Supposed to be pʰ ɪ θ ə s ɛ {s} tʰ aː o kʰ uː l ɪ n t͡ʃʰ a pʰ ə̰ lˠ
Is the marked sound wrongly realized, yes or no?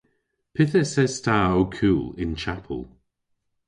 no